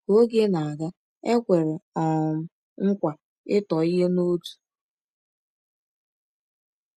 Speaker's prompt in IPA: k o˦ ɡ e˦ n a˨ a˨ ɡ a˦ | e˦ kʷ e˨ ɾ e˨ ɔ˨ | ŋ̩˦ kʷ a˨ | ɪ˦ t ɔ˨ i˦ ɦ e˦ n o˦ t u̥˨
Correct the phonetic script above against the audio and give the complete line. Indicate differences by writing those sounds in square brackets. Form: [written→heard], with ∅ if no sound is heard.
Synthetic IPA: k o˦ ɡ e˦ n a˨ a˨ ɡ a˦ | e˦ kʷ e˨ ɾ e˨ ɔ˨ | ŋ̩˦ kʷ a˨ | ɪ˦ t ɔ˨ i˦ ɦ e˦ n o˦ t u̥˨